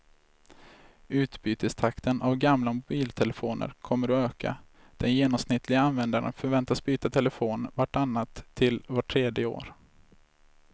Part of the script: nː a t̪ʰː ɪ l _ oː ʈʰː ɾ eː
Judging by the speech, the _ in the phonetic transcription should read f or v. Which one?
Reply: v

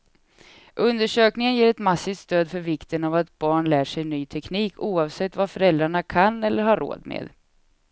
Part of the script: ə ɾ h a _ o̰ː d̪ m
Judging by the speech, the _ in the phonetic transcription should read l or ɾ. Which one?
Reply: ɾ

